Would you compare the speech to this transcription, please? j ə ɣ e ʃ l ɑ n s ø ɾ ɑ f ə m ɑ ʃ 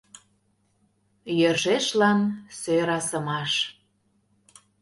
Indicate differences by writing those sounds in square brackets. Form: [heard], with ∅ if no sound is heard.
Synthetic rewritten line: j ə [ʒ] e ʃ l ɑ n s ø ɾ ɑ [s] ə m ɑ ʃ